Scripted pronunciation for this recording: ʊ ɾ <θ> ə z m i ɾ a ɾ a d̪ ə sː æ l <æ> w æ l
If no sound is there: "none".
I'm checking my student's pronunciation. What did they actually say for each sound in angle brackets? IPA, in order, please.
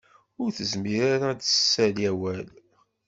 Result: θ, æ

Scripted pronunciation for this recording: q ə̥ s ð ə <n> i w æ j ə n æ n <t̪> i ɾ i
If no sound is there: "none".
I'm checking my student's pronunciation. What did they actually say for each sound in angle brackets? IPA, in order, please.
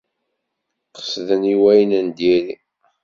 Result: n, d̪

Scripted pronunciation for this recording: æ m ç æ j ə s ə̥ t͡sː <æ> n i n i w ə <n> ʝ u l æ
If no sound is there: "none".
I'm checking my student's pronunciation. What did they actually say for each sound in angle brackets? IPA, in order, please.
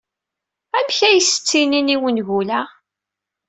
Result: i, n

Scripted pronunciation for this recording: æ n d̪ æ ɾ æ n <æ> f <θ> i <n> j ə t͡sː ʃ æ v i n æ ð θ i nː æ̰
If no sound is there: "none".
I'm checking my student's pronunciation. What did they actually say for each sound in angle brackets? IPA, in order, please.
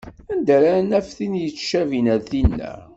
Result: æ, θ, n

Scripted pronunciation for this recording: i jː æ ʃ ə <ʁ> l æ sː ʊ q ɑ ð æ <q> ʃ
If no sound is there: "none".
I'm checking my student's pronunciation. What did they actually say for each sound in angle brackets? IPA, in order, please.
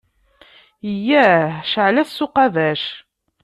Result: ʕ, none

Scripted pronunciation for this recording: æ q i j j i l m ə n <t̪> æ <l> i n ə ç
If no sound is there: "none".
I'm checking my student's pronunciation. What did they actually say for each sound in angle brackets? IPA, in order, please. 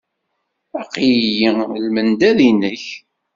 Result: d̪, l

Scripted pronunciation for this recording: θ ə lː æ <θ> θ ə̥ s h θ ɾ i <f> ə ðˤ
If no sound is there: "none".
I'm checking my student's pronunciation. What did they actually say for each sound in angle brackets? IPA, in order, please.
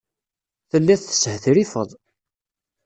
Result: θ, f

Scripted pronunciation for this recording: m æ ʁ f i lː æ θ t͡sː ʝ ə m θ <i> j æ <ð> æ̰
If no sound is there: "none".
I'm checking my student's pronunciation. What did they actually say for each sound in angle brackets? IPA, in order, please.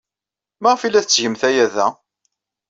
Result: æ, ð

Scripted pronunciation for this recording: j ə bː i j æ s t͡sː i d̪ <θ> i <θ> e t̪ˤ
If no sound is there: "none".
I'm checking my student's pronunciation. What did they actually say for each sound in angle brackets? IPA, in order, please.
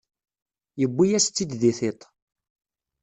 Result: ð, θ

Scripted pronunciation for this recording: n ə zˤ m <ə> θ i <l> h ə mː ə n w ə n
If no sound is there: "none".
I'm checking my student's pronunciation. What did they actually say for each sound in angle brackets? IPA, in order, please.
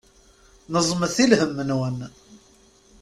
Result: ə, l

